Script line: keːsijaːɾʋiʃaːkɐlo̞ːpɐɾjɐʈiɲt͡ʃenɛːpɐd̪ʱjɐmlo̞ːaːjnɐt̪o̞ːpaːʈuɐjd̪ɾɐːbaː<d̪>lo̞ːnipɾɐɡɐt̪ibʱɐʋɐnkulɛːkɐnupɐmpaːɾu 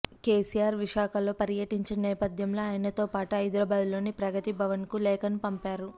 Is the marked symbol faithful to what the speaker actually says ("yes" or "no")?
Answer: yes